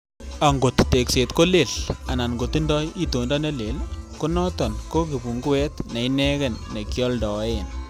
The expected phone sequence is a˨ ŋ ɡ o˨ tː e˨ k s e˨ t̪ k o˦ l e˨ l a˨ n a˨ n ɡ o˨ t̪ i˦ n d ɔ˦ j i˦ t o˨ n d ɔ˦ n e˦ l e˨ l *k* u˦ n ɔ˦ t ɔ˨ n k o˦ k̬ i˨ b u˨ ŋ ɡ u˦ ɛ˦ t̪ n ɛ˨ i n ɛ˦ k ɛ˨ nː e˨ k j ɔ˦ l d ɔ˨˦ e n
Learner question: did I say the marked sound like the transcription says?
yes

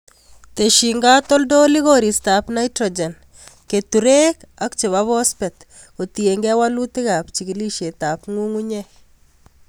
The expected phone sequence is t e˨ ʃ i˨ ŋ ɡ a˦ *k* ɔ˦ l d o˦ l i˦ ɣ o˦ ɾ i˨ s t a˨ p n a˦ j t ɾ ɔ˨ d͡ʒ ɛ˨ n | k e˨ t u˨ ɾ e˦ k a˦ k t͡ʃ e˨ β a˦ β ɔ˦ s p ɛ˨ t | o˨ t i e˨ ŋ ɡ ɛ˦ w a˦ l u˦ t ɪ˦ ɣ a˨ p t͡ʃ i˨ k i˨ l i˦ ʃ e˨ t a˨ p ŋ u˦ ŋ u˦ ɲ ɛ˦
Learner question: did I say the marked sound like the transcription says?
no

